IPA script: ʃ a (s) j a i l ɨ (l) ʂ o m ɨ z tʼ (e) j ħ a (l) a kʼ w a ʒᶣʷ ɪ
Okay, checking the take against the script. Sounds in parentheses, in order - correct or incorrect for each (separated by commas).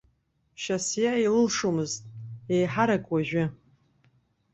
correct, correct, correct, incorrect